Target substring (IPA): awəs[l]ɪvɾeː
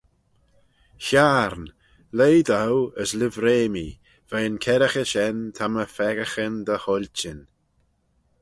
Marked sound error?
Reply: no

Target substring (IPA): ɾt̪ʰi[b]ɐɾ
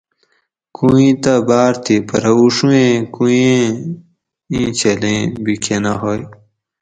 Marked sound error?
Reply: yes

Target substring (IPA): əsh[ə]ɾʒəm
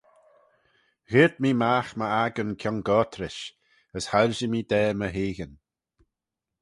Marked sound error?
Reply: yes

